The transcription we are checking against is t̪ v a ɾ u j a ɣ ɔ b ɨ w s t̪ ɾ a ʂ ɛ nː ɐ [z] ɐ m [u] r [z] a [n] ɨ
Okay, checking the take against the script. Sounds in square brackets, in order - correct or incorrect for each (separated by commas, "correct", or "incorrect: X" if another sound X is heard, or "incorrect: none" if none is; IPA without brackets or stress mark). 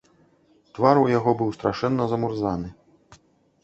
correct, correct, correct, correct